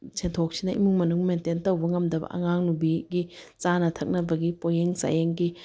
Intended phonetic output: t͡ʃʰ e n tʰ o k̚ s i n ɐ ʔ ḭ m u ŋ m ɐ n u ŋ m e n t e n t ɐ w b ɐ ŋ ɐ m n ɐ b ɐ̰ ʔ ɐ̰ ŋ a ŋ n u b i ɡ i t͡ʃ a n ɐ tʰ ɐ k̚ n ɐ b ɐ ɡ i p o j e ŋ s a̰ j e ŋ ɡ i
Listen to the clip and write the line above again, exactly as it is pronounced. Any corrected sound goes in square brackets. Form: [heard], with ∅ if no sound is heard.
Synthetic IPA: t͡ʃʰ e n tʰ o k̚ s i n ɐ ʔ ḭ m u ŋ m ɐ n u ŋ m e n t e n t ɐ w b ɐ ŋ ɐ m [d] ɐ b ɐ̰ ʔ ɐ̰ ŋ a ŋ n u b i ɡ i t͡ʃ a n ɐ tʰ ɐ k̚ n ɐ b ɐ ɡ i p o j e ŋ s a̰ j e ŋ ɡ i

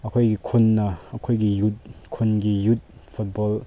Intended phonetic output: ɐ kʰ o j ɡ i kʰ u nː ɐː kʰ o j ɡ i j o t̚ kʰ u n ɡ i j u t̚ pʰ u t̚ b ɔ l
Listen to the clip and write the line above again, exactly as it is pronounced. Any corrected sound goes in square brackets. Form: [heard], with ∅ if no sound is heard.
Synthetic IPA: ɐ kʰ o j ɡ i kʰ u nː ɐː kʰ o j ɡ i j [u] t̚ kʰ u n ɡ i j u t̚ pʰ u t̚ b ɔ l

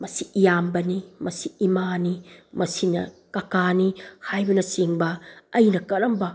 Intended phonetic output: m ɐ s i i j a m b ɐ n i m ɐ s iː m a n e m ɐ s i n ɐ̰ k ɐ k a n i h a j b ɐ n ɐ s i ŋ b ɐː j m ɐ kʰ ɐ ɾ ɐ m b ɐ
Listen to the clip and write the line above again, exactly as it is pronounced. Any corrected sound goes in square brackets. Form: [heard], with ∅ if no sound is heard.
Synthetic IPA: m ɐ s i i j a m b ɐ n i m ɐ s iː m a n [i] m ɐ s i n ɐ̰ k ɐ k a n i h a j b ɐ n ɐ s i ŋ b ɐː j [n] ɐ [k] ɐ ɾ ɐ m b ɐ

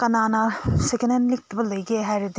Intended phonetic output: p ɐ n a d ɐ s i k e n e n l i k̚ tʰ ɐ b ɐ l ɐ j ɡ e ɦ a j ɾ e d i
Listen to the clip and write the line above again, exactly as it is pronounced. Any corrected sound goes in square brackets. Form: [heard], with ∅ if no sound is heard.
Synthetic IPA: [k] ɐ n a [n] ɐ s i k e n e n l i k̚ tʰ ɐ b ɐ l ɐ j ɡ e ɦ a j ɾ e d i

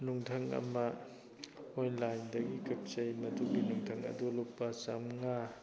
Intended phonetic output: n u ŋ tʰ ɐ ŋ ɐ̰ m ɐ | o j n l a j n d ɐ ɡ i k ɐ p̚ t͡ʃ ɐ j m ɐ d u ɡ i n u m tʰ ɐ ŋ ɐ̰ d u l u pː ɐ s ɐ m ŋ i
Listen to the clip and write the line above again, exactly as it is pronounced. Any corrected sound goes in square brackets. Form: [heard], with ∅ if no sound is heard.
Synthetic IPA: n u ŋ tʰ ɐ ŋ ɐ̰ m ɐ | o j n l a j n d ɐ ɡ i k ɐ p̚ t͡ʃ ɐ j m ɐ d u ɡ i n u [ŋ] tʰ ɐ ŋ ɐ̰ d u l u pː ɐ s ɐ m ŋ [a]

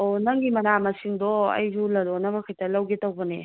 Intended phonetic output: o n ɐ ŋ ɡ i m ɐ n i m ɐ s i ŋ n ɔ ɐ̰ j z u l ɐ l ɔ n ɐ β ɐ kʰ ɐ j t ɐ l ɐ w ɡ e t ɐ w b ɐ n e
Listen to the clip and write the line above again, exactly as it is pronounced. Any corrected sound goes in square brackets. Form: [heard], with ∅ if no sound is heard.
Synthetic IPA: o n ɐ ŋ ɡ i m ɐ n [a] m ɐ s i ŋ [d] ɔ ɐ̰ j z u l ɐ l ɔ n ɐ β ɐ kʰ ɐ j t ɐ l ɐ w ɡ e t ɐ w b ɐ n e

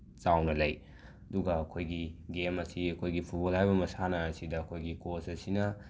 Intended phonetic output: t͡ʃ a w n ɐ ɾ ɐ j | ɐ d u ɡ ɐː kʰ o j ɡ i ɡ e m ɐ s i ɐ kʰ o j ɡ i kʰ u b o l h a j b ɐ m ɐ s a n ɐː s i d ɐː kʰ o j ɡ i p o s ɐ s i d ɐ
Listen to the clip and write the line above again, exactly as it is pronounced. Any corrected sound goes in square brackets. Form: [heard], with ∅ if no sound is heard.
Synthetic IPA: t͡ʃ a w n ɐ [l] ɐ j | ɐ d u ɡ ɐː kʰ o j ɡ i ɡ e m ɐ s i ɐ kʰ o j ɡ i [pʰ] u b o l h a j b ɐ m ɐ s a n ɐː s i d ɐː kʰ o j ɡ i [k] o s ɐ s i [n] ɐ

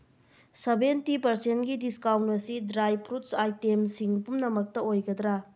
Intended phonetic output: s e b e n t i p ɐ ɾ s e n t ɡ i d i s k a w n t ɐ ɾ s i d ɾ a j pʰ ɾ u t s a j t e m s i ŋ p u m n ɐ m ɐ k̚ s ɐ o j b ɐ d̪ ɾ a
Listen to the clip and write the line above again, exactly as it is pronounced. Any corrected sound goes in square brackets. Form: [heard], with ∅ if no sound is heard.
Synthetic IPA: s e b e n t i p ɐ ɾ s e n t ɡ i d i s k a w n t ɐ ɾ s i d ɾ a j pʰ ɾ u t s a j t e m s i ŋ p u m n ɐ m ɐ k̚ [t] ɐ o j [ɡ] ɐ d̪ ɾ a

